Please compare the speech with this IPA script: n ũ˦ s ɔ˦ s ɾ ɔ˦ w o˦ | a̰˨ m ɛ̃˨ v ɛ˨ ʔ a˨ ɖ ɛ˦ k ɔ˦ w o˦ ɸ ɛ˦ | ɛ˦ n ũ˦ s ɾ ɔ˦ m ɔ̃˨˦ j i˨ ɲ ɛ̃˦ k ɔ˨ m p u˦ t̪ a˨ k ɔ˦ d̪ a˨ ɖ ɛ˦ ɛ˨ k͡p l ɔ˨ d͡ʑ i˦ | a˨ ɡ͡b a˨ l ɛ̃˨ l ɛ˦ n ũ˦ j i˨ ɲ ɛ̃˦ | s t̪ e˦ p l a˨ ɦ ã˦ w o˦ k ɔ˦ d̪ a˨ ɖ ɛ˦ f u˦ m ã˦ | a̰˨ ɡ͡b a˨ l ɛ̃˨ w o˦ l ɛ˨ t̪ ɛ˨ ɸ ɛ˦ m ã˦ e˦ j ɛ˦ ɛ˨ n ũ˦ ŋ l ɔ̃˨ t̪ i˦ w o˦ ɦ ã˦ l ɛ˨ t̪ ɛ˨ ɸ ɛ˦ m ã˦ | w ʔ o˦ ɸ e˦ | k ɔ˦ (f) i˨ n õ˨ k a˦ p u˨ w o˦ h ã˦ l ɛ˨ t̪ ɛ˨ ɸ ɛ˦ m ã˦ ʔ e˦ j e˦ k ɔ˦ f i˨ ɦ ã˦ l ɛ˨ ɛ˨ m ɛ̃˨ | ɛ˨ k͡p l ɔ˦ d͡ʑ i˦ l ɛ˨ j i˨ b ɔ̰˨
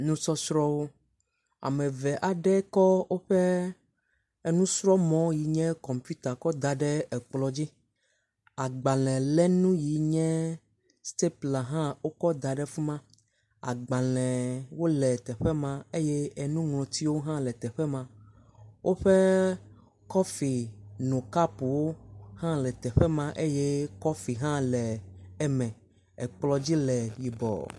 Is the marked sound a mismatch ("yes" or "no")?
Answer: no